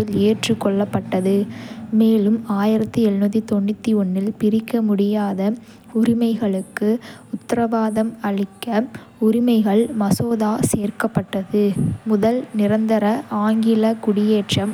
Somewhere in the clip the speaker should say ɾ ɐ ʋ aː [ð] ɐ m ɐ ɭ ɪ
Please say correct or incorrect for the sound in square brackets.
correct